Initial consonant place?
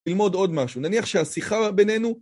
alveolar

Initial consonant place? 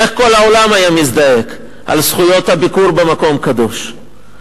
uvular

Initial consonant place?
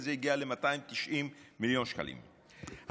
alveolar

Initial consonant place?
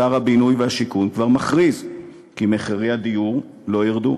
uvular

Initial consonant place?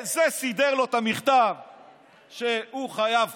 alveolar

